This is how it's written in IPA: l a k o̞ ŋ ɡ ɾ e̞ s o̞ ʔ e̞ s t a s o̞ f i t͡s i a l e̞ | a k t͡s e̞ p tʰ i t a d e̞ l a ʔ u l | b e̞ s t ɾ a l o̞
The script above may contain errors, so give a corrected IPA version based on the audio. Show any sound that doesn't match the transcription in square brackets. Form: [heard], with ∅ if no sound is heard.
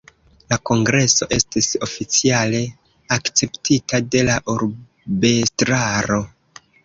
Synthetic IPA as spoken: l a k o̞ ŋ ɡ ɾ e̞ s o̞ ʔ e̞ s t [i] s o̞ f i t͡s i a l e̞ | a k t͡s e̞ p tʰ i t a d e̞ l a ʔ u [ɾ] | b e̞ s t ɾ a [ɾ] o̞